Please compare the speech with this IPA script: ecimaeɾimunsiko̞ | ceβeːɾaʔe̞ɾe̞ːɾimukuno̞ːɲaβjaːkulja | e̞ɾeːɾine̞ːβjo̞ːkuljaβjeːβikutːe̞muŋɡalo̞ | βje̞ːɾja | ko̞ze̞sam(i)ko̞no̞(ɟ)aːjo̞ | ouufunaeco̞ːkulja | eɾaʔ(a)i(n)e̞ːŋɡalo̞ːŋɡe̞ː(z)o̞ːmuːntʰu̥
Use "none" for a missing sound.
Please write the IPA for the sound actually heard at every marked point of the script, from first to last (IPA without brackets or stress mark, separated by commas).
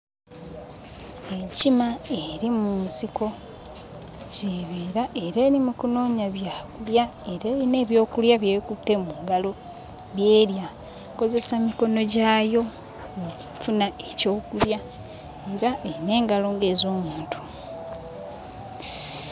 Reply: i, ɟ, e, n, z